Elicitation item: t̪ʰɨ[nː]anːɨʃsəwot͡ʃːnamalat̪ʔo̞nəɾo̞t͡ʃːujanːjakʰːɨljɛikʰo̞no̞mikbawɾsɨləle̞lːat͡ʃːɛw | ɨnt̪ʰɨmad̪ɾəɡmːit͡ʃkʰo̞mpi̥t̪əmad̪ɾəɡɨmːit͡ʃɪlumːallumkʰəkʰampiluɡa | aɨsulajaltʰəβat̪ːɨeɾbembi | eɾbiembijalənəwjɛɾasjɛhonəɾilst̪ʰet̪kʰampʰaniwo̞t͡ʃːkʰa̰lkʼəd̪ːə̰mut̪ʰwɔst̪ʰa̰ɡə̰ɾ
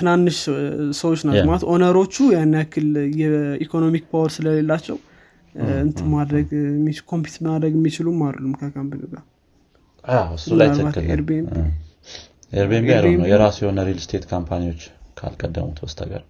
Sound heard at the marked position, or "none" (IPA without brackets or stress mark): n